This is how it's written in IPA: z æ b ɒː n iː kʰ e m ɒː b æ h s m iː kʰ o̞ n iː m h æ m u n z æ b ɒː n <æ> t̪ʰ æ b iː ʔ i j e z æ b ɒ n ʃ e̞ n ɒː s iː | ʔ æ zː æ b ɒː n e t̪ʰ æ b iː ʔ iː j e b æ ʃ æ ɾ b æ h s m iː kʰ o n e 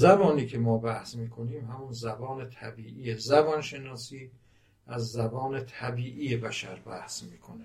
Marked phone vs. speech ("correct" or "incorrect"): incorrect